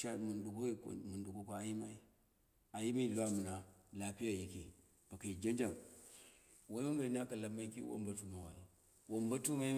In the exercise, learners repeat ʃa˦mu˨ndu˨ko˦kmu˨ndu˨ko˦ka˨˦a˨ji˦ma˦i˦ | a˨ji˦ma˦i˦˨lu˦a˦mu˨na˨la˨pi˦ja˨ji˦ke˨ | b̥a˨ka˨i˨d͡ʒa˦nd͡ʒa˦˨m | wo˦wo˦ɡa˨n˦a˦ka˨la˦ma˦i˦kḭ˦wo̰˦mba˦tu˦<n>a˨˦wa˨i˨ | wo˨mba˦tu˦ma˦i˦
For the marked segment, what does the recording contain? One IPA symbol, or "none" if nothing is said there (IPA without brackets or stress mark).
m